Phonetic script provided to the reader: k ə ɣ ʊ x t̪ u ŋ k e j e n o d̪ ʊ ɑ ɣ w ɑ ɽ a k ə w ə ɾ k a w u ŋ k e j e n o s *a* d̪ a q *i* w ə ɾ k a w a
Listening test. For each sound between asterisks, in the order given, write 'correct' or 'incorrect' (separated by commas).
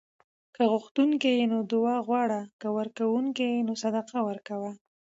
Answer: correct, incorrect